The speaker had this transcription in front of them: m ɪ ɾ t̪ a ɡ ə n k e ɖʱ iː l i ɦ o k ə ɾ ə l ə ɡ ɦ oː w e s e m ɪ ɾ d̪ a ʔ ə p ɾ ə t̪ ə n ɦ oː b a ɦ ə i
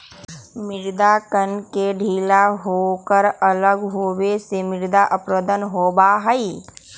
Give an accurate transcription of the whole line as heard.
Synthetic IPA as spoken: m ɪ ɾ d̪ a k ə n k e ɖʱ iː l a ɦ o k ə ɾ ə l ə ɡ ɦ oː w e s e m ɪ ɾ d̪ a ʔ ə p ɾ ə d̪ ə n ɦ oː b a ɦ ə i